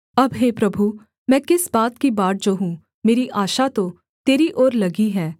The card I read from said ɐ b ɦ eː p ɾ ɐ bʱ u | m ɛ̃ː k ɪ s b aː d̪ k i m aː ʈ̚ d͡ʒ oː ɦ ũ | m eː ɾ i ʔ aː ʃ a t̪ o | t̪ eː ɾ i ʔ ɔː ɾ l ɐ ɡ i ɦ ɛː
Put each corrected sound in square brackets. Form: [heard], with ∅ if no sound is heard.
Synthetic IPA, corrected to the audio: ɐ b ɦ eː p ɾ ɐ bʱ u | m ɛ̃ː k ɪ s b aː [t̪] k i [b] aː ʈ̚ d͡ʒ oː ɦ ũ | m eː ɾ i ʔ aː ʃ a t̪ o | t̪ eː ɾ i ʔ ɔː ɾ l ɐ ɡ i ɦ ɛː

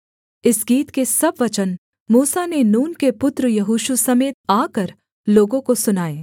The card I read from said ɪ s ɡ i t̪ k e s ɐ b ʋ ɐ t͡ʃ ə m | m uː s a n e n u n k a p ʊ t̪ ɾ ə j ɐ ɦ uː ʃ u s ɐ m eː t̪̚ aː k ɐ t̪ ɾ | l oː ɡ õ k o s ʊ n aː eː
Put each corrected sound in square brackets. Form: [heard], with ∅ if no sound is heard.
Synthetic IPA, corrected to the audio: ɪ s ɡ [iː] t̪ k e s ɐ b ʋ ɐ t͡ʃ ə [n] | m uː s a n e n [uː] n k [e] p ʊ t̪ ɾ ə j ɐ ɦ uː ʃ u s ɐ m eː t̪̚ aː k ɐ [∅] ɾ | l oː ɡ õ k o s ʊ n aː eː

